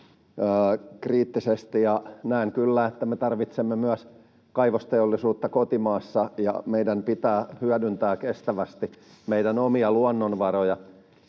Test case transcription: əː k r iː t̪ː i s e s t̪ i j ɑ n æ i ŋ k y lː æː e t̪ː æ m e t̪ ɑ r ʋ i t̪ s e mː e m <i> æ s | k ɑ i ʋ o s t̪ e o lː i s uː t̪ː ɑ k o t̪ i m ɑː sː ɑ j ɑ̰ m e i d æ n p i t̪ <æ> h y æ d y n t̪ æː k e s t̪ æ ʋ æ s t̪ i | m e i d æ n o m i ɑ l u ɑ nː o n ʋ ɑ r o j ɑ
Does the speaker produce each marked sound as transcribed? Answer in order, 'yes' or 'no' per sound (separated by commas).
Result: no, no